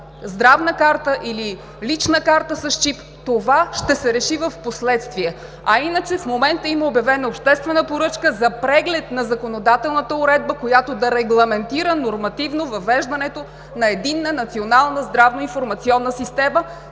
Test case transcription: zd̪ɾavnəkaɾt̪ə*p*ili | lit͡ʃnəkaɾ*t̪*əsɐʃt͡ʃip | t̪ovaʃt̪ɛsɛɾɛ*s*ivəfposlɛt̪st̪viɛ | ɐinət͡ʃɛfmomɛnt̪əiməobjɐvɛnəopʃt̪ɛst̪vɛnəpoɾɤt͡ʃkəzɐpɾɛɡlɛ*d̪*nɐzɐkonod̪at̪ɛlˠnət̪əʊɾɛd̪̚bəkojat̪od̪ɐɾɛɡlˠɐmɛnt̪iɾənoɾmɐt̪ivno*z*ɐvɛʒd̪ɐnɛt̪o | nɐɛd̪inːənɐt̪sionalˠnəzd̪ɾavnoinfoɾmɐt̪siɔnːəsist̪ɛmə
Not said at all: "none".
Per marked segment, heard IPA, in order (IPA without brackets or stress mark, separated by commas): ʔ, t̪, ʃ, t̪, v